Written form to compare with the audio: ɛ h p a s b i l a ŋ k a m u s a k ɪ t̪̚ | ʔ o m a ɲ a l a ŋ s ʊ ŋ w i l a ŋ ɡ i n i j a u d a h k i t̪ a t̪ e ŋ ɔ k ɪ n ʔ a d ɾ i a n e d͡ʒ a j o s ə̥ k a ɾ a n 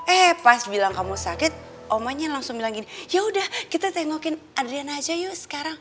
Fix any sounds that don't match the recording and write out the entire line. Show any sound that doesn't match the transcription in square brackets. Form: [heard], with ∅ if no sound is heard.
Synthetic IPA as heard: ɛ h p a s b i l a ŋ k a m u s a k ɪ t̪̚ | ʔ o m a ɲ a l a ŋ s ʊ ŋ [b] i l a ŋ ɡ i n i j a u d a h k i t̪ a t̪ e ŋ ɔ k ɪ n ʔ a d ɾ i a n [a] d͡ʒ a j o s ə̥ k a ɾ a [ŋ]